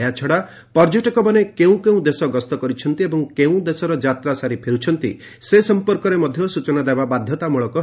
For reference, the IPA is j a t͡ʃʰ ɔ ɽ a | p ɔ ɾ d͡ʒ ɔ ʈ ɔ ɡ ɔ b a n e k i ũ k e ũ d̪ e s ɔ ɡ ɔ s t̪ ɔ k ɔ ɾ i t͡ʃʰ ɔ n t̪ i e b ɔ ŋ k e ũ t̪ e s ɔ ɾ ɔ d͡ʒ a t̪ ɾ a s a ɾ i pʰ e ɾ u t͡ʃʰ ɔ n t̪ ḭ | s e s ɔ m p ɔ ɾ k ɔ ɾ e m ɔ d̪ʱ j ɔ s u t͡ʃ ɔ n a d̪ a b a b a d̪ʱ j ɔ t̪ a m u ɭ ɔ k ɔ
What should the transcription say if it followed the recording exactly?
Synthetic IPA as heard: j a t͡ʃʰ ɔ ɽ a | p ɔ ɾ d͡ʒ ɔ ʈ ɔ k ɔ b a n e k e ũ k e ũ d̪ e s ɔ ɡ ɔ s t̪ ɔ k ɔ ɾ i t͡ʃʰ ɔ n t̪ i e b ɔ ŋ k e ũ d̪ e s ɔ ɾ ɔ d͡ʒ a t̪ ɾ a s a ɾ i pʰ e ɾ u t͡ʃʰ ɔ n t̪ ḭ | s e s ɔ m p ɔ ɾ k ɔ ɾ e m ɔ d̪ʱ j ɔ s u t͡ʃ ɔ n a d̪ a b a b a d̪ʱ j ɔ t̪ a m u ɭ ɔ k ɔ

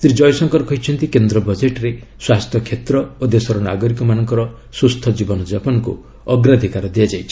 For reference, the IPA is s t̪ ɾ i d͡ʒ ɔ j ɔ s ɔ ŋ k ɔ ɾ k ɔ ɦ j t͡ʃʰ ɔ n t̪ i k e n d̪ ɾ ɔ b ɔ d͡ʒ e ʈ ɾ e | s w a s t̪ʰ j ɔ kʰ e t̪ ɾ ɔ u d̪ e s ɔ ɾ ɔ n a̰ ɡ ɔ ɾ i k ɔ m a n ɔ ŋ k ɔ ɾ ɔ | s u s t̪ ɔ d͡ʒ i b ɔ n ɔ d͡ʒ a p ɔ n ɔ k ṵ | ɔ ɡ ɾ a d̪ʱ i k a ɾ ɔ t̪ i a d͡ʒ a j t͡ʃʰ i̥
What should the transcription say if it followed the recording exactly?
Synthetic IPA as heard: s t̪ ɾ i d͡ʒ ɔ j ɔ s ɔ ŋ k ɔ ɾ k ɔ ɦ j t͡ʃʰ ɔ n t̪ i k e n d̪ ɾ ɔ b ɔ d͡ʒ e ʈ ɾ e | s w a s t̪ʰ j ɔ kʰ e t̪ ɾ ɔ o d̪ e s ɔ ɾ ɔ n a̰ ɡ ɔ ɾ i k ɔ m a n ɔ ŋ k ɔ ɾ ɔ | s u s t̪ʰ ɔ d͡ʒ i b ɔ n ɔ d͡ʒ a p ɔ n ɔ k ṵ | ɔ ɡ ɾ a d̪ʱ i k a ɾ ɔ d̪ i a d͡ʒ a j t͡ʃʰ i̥

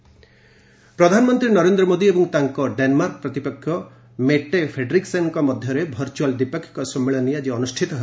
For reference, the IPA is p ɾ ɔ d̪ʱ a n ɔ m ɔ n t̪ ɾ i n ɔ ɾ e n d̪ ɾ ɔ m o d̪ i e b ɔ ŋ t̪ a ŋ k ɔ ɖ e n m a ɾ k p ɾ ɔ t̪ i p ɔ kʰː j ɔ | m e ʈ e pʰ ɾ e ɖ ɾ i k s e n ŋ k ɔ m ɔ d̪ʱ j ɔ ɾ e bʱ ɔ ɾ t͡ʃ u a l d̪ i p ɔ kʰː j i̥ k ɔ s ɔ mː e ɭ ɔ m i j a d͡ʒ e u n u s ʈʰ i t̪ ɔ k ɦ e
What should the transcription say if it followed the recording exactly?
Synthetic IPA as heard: p ɾ ɔ d̪ʱ a n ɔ m ɔ n t̪ ɾ i n ɔ ɾ e n d̪ ɾ ɔ m o d̪ i e b ɔ ŋ t̪ a ŋ k ɔ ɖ e n m a ɾ k p ɾ ɔ t̪ i p ɔ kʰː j ɔ | m e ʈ e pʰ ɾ e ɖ ɾ i k s e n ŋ k ɔ m ɔ d̪ʱ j ɔ ɾ e bʱ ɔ ɾ t͡ʃ u a l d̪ i p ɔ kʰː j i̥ k ɔ s ɔ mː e ɭ ɔ n i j a d͡ʒ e ɔ n u s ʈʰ i t̪ ɔ ɦ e

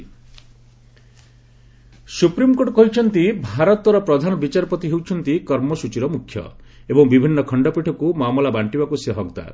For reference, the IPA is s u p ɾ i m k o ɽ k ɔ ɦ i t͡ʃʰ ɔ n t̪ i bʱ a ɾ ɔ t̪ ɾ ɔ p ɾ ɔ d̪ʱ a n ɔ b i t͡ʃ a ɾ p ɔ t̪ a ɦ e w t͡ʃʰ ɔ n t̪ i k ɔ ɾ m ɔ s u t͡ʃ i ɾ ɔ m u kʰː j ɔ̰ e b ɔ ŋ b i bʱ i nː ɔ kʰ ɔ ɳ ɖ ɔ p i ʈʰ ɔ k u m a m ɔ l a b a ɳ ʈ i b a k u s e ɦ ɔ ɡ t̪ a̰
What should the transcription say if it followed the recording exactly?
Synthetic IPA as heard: s u p ɾ i m k o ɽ k ɔ ɦ i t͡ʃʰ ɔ n t̪ i bʱ a ɾ ɔ t̪ ɾ ɔ p ɾ ɔ d̪ʱ a n ɔ b i t͡ʃ a ɾ p ɔ t̪ i ɦ e w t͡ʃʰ ɔ n t̪ i k ɔ ɾ m ɔ s u t͡ʃ i ɾ ɔ m u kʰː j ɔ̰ e b ɔ ŋ b i bʱ i nː ɔ kʰ ɔ ɳ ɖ ɔ p i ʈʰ ɔ k u m a m ɔ l a b a ɳ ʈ i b a k u s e ɦ ɔ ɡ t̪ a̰

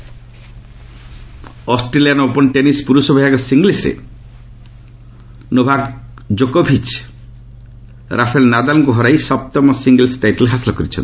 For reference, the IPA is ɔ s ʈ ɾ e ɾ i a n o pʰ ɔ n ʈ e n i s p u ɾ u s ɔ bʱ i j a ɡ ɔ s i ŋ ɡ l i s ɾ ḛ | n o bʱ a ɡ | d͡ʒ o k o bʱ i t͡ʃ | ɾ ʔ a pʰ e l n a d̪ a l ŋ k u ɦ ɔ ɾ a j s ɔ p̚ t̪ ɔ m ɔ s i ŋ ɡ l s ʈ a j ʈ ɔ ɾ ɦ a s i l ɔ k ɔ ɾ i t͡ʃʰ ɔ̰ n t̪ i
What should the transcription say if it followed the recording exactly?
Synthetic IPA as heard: ɔ s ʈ ɾ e l i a n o p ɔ n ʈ e n i s p u ɾ u s ɔ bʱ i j a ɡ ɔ s i ŋ ɡ l i s ɾ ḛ | n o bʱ a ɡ | d͡ʒ o k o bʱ i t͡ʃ | ɾ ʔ a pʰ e l n a d̪ a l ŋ k u ɦ ɔ ɾ a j s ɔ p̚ t̪ ɔ m ɔ s i ŋ ɡ l s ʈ a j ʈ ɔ l ɦ a s i l ɔ k ɔ ɾ i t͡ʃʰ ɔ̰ n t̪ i

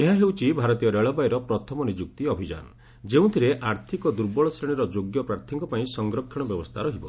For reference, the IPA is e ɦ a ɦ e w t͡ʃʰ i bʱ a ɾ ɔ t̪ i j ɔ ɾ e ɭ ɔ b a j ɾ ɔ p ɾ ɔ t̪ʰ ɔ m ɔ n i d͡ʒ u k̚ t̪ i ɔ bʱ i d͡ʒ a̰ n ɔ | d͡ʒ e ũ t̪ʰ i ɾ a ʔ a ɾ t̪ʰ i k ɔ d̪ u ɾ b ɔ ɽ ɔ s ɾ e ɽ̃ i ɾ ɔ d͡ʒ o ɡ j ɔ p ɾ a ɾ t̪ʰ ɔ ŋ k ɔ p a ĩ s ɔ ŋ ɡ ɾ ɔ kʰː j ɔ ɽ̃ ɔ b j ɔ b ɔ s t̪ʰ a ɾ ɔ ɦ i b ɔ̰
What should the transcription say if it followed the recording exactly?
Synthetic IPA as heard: e ɦ a ɦ e w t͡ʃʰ i bʱ a ɾ ɔ t̪ i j ɔ ɾ e ɭ ɔ b a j ɾ ɔ p ɾ ɔ t̪ʰ ɔ m ɔ n i d͡ʒ u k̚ t̪ i ɔ bʱ i d͡ʒ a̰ n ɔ | d͡ʒ e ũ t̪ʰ i ɾ e ʔ a ɾ t̪ʰ i k ɔ d̪ u ɾ b ɔ ɭ ɔ s ɾ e ɽ̃ i ɾ ɔ d͡ʒ o ɡ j ɔ p ɾ a ɾ t̪ʰ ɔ ŋ k ɔ p a ĩ s ɔ ŋ ɡ ɾ ɔ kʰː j ɔ ɽ̃ ɔ b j ɔ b ɔ s t̪ʰ a ɾ ɔ ɦ i b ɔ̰

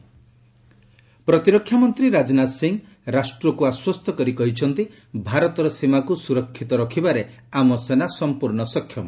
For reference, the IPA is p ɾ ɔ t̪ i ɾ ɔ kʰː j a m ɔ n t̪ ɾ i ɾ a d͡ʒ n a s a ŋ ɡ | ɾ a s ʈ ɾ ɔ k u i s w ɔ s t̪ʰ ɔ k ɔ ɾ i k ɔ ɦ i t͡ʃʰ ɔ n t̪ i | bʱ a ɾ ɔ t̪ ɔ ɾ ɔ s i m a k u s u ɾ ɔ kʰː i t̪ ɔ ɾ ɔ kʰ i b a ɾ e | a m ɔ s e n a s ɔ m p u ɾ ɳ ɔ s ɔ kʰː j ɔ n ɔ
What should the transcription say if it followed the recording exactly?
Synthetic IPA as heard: p ɾ ɔ t̪ i ɾ ɔ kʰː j a m ɔ n t̪ ɾ i ɾ a d͡ʒ n a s i ŋ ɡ | ɾ a s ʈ ɾ ɔ k u a s w ɔ s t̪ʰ ɔ k ɔ ɾ i k ɔ ɦ i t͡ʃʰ ɔ n t̪ i | bʱ a ɾ ɔ t̪ ɔ ɾ ɔ s i m a k u s u ɾ ɔ kʰː i t̪ ɔ ɾ ɔ kʰ i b a ɾ e | a m ɔ s e n a s ɔ m p u ɾ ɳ ɔ s ɔ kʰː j ɔ m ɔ

